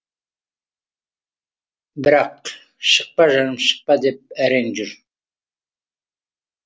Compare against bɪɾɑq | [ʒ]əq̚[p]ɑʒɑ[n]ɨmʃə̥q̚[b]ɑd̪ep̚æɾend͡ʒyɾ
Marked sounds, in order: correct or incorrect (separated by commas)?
incorrect, correct, correct, incorrect